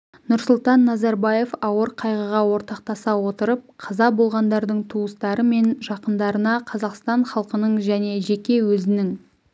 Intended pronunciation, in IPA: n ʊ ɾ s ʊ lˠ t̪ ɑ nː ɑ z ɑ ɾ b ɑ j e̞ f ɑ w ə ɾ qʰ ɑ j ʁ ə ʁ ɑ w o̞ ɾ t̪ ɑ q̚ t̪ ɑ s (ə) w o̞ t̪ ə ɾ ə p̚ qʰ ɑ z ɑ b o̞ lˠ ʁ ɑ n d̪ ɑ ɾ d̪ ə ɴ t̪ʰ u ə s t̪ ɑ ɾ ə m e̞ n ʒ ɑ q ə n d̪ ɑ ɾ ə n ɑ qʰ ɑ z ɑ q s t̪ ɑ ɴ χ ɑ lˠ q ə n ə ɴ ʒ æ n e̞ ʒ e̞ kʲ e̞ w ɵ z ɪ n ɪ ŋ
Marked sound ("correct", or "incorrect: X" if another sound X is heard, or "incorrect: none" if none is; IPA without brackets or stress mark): incorrect: ɑ